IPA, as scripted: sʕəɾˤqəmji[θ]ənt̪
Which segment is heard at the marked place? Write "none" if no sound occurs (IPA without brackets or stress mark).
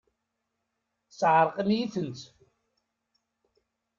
θ